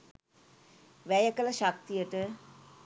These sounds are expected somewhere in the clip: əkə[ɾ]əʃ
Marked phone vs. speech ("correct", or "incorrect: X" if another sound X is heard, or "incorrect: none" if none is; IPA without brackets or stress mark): incorrect: l